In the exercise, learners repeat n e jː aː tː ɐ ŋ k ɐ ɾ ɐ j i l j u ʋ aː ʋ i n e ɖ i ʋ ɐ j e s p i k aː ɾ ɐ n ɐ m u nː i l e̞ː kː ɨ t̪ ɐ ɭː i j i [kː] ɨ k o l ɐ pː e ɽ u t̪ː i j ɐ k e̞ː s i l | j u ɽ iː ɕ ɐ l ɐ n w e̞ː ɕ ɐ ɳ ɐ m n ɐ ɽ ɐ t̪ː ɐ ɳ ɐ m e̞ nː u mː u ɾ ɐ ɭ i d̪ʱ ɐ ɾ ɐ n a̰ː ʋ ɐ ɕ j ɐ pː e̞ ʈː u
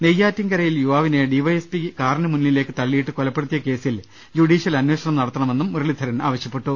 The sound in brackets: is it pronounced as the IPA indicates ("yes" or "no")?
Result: no